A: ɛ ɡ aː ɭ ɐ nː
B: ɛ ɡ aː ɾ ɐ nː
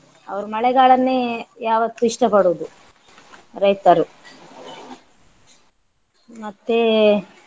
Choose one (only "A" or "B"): A